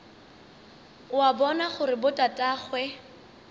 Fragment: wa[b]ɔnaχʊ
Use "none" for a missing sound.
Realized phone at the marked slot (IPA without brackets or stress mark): b